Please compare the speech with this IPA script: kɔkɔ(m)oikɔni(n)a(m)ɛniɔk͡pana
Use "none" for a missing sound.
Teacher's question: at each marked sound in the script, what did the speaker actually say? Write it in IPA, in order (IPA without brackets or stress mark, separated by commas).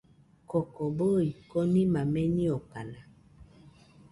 b, m, m